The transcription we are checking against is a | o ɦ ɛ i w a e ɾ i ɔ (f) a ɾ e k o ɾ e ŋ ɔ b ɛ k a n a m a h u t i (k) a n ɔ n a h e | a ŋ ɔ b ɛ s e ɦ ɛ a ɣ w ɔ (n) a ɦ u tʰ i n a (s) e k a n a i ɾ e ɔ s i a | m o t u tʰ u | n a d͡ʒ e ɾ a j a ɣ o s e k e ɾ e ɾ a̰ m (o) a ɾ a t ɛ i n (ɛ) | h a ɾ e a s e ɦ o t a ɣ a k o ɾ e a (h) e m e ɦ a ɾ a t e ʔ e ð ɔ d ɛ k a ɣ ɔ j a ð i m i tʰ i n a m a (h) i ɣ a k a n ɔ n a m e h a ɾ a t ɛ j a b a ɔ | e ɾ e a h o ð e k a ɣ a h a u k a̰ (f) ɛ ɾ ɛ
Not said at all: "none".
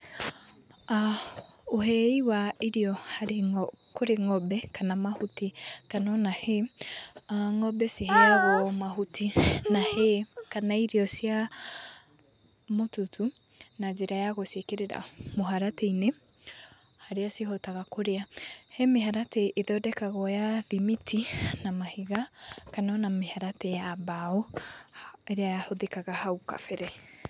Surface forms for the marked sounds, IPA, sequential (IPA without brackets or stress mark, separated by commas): h, k, m, h, o, e, h, h, f